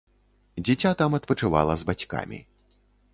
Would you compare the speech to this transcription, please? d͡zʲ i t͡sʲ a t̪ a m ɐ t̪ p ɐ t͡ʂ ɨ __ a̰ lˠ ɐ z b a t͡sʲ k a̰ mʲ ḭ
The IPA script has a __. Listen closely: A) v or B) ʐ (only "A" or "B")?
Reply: A